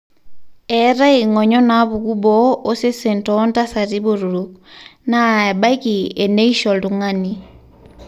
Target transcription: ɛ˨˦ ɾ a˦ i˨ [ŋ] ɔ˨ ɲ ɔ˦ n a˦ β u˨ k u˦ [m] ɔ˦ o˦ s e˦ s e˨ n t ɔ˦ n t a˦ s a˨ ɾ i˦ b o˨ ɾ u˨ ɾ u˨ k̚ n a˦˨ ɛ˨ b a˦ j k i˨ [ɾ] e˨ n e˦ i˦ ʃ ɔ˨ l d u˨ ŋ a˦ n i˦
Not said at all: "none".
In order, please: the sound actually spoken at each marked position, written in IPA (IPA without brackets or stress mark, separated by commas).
ŋ, b, none